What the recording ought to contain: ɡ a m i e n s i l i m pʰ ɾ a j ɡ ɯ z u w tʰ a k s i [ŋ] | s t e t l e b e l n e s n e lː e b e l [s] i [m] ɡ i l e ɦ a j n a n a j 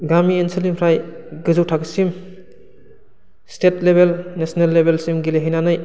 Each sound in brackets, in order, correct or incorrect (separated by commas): incorrect, correct, correct